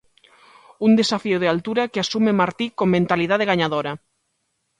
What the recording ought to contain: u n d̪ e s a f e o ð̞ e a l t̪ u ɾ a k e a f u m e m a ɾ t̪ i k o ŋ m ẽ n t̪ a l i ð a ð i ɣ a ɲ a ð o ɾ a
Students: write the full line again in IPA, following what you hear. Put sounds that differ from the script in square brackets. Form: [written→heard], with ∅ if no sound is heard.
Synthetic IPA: u n d̪ e s a f [e→i] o ð̞ e a l t̪ u ɾ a k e a [f→s] u m e m a ɾ t̪ i k o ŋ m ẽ n t̪ a l i ð a ð [i→e] ɣ a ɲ a ð o ɾ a